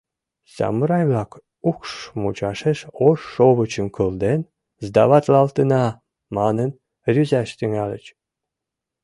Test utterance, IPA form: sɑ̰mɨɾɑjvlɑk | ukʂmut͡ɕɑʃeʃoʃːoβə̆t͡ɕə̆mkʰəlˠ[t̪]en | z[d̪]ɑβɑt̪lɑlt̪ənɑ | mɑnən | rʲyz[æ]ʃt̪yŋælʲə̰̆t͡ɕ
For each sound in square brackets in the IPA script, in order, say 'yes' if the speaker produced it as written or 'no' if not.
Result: no, yes, yes

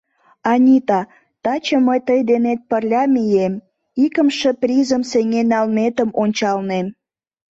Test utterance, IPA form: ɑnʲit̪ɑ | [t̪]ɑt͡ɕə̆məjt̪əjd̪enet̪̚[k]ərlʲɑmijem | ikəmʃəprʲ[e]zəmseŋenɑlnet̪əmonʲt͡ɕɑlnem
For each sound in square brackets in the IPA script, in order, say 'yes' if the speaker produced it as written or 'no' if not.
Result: yes, no, no

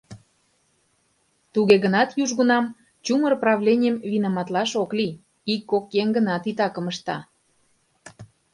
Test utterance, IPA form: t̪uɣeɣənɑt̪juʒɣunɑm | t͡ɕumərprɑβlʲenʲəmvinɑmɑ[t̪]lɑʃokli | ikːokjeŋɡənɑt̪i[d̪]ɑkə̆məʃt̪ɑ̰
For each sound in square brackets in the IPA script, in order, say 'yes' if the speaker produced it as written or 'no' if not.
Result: yes, no

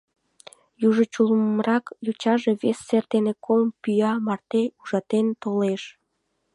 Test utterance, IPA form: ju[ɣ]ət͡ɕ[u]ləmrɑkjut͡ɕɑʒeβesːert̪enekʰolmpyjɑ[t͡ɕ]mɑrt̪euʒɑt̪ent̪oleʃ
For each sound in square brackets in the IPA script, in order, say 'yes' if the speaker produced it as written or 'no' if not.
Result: no, yes, no

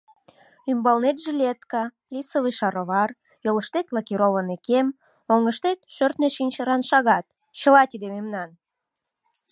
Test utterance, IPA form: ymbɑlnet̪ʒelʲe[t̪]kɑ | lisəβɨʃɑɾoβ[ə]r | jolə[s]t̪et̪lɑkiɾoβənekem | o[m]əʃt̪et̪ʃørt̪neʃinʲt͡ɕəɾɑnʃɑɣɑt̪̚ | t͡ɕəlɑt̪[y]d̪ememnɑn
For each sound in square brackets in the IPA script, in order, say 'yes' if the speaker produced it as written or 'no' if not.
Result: yes, no, no, no, no

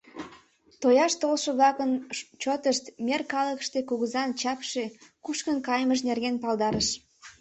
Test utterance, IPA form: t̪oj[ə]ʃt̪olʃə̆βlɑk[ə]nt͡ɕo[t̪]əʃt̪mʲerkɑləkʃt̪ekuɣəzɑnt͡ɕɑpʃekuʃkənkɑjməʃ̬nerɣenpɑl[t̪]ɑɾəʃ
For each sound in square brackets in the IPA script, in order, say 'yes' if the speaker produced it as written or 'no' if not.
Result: no, yes, yes, no

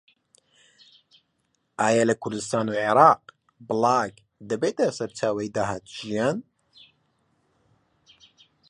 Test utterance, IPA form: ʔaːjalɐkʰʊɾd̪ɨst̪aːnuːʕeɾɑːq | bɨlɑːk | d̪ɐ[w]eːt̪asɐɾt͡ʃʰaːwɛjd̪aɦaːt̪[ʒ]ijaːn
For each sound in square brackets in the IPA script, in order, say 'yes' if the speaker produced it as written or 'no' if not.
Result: no, yes

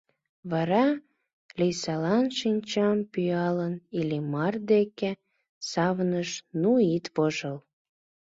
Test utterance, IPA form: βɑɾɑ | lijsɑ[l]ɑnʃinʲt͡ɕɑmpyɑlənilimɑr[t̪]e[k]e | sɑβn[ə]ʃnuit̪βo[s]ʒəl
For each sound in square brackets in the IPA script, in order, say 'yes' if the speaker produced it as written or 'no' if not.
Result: yes, no, yes, yes, no

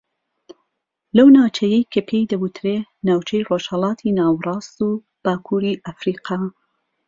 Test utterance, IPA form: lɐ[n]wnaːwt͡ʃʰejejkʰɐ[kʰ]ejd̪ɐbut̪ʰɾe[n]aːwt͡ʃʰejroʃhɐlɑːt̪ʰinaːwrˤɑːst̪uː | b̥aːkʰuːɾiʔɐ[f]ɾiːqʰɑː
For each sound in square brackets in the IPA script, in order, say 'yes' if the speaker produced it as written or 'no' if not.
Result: no, no, yes, yes

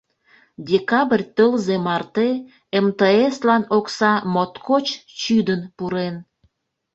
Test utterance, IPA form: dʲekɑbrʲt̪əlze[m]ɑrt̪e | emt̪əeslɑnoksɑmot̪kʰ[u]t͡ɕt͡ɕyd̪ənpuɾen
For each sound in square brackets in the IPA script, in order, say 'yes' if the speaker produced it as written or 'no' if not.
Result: yes, no

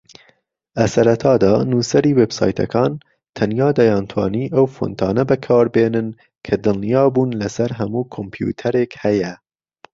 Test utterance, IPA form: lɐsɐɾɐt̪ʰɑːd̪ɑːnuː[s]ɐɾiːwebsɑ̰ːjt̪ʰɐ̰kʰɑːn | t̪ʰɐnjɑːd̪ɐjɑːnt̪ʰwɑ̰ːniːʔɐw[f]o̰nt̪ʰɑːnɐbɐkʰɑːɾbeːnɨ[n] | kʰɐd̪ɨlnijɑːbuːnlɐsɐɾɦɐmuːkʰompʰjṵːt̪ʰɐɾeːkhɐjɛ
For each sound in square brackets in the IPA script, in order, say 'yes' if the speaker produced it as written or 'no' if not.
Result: yes, yes, yes

